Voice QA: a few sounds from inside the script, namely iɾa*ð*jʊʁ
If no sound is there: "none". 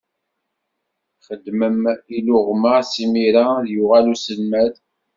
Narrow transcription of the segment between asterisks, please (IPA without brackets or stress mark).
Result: ð